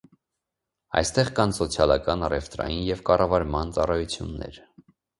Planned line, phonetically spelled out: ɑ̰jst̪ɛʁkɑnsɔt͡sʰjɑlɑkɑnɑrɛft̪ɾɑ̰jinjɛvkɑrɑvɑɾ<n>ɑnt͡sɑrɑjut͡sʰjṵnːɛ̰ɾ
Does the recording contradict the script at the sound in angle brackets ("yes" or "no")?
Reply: yes